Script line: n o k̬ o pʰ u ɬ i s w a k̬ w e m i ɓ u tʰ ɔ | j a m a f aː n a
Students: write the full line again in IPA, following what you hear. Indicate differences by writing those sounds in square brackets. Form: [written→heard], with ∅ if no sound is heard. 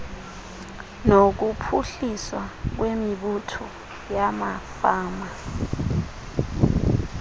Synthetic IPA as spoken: n o k̬ [o→u] pʰ u ɬ i s w a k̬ w e m i ɓ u tʰ ɔ | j a m a f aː [n→m] a